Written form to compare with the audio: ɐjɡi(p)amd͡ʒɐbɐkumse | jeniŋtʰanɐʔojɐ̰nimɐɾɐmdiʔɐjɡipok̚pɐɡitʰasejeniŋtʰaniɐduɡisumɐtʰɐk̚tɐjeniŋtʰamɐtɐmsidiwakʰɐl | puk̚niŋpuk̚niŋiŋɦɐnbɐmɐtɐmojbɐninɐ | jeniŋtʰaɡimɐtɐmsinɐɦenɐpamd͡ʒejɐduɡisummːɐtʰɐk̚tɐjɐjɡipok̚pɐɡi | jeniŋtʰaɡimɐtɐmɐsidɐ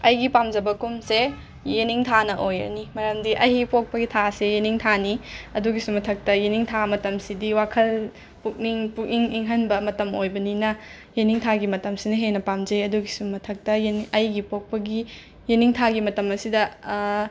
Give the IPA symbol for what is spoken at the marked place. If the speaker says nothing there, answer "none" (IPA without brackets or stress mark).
p